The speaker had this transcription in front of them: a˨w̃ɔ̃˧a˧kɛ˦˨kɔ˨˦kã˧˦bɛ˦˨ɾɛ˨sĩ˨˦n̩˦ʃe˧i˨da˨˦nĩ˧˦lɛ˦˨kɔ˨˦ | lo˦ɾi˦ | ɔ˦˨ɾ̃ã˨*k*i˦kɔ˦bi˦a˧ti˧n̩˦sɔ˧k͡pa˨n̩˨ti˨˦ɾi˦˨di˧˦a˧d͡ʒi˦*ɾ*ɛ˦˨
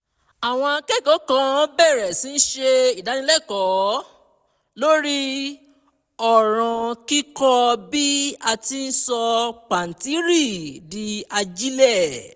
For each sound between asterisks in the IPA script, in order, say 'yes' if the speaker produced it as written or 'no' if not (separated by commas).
yes, no